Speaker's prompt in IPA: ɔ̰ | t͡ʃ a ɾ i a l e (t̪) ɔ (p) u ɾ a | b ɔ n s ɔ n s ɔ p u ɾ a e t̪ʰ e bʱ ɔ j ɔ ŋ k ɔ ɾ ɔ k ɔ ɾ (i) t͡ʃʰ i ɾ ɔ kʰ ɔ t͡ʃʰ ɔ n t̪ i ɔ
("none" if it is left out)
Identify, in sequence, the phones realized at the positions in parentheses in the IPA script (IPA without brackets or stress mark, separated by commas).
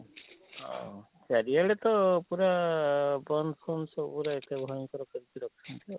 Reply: t̪, p, i